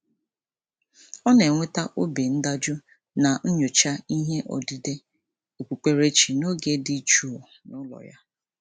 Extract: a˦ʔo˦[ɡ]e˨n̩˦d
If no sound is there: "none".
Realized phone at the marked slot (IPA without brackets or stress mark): b